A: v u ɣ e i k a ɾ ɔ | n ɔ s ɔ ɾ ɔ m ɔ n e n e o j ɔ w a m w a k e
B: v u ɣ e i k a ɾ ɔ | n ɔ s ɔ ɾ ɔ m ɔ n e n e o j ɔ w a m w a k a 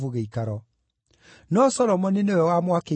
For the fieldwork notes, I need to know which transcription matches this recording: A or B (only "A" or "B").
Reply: A